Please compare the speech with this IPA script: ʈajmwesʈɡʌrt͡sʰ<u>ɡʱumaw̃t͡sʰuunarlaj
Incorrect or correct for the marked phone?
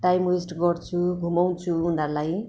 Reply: correct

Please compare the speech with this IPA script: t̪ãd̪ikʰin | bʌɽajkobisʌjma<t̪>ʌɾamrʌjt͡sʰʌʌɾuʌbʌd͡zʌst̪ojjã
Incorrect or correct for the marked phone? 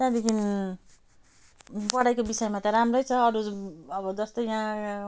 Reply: correct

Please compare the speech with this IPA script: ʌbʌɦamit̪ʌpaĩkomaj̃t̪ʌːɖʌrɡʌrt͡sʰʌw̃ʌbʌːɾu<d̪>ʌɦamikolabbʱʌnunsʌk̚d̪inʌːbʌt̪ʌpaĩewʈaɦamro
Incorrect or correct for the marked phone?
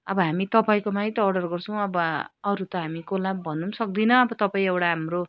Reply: incorrect: t̪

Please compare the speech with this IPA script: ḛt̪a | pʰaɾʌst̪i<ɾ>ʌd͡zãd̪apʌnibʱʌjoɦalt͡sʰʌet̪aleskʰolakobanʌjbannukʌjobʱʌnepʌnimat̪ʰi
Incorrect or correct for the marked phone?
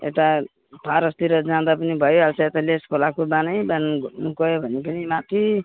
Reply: correct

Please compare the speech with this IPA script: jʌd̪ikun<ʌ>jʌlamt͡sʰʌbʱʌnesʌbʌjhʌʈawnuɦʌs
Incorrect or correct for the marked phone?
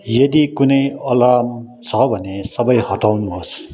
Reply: correct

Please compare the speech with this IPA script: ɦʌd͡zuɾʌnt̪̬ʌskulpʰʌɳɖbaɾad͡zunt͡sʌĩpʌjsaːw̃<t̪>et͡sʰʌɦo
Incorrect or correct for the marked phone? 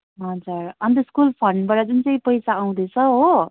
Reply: incorrect: d̪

